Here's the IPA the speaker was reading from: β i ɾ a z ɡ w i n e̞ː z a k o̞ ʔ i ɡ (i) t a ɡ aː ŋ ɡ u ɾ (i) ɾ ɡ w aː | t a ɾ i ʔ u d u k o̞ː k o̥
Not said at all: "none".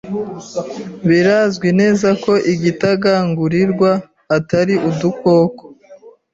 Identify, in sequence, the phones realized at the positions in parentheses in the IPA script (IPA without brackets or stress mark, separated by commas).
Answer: i, i